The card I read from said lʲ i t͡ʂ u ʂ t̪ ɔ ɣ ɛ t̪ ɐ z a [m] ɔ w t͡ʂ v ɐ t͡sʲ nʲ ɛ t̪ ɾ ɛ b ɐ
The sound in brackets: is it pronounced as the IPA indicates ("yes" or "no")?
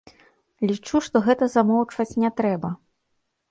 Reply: yes